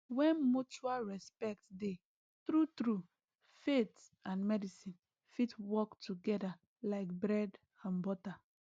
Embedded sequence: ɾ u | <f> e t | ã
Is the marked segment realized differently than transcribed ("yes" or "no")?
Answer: no